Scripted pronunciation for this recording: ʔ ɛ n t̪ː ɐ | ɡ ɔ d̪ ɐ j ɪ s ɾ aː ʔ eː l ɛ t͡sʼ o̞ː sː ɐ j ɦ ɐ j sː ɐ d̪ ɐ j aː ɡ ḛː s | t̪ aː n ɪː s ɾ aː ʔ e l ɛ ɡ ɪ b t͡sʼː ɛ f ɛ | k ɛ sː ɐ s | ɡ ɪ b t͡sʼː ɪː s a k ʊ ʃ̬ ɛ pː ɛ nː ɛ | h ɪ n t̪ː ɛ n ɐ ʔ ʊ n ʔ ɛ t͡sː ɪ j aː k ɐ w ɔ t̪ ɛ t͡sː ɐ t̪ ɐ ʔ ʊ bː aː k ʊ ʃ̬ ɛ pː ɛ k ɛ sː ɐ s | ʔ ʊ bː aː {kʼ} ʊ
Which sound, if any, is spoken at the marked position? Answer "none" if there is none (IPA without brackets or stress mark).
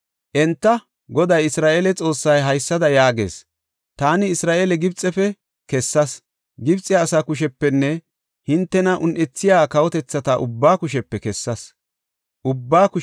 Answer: k